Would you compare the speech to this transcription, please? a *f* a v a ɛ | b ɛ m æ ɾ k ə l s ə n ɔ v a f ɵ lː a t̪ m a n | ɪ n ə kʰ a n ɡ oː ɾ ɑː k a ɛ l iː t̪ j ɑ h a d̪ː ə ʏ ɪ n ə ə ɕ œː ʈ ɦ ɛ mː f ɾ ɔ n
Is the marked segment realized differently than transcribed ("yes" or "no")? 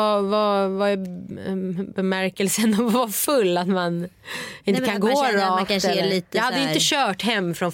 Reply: yes